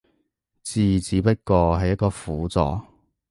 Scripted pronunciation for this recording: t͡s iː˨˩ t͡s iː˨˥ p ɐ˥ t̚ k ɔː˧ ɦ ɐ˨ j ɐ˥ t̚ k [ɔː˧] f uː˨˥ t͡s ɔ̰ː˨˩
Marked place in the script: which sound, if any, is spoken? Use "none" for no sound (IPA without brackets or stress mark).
ɔː˧